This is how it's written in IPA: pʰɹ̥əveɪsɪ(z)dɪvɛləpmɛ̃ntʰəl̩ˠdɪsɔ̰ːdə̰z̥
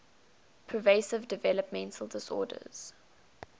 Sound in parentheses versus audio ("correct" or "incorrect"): incorrect